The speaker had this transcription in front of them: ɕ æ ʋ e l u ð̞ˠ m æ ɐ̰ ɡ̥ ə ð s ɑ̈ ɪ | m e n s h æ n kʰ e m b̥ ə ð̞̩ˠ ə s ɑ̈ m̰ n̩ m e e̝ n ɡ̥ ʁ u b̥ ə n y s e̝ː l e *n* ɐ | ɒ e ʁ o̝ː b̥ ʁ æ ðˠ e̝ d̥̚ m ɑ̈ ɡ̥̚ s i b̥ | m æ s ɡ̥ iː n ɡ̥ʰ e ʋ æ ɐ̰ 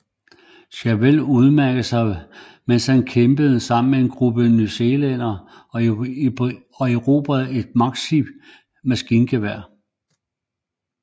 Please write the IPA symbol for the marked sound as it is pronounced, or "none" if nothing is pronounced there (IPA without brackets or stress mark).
n